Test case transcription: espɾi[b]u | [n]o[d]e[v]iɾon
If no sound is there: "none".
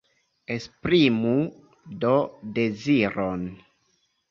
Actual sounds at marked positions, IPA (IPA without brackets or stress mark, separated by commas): m, d, d, z